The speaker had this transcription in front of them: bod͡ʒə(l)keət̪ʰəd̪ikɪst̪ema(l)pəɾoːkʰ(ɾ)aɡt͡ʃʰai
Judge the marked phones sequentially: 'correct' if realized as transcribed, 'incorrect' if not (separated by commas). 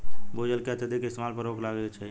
correct, correct, incorrect